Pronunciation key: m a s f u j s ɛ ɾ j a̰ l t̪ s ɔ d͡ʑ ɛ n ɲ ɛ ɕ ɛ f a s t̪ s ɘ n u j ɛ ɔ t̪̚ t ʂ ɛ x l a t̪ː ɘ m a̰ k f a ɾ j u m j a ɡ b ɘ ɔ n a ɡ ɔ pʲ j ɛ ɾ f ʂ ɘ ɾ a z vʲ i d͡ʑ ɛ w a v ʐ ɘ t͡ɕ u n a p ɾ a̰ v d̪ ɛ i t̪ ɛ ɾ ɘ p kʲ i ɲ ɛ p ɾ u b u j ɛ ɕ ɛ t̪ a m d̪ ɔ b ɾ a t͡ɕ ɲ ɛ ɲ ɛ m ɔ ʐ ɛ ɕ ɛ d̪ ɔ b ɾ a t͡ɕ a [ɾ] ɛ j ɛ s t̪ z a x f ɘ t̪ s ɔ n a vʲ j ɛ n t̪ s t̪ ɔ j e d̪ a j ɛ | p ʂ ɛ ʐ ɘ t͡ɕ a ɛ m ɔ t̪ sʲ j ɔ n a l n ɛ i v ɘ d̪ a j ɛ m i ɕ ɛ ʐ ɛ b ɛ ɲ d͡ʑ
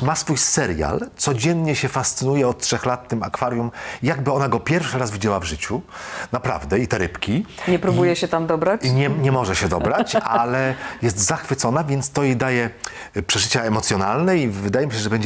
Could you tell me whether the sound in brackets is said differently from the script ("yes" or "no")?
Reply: yes